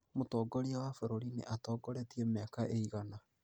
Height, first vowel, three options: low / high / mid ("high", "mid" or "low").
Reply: mid